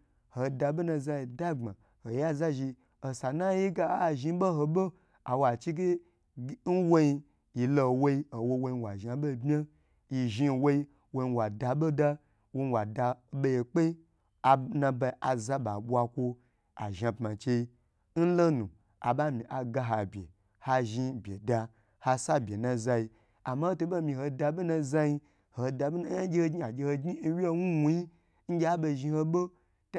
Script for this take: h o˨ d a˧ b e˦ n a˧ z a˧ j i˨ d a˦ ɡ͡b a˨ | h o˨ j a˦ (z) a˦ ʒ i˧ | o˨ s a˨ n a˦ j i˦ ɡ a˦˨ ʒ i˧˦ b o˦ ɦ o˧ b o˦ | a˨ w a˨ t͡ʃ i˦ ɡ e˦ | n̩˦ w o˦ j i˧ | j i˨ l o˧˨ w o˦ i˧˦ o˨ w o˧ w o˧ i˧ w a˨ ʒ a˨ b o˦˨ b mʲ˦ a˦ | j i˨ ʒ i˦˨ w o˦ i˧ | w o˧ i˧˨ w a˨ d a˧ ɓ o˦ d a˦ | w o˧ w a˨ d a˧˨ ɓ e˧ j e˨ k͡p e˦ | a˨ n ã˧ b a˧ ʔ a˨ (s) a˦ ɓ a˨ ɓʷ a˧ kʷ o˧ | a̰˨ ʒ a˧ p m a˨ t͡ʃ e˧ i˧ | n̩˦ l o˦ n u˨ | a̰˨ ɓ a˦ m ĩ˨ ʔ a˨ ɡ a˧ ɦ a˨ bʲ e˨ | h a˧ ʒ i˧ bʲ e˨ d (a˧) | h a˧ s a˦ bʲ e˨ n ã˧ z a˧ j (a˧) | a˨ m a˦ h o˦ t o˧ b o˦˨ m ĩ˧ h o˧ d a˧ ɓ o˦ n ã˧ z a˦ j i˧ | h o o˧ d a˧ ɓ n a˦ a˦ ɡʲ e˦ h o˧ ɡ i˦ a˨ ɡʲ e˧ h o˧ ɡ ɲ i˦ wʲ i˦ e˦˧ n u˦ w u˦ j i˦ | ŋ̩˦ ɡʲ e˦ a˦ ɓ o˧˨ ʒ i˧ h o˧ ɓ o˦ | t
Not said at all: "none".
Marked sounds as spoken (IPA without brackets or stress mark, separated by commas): z, z, a˧, i˧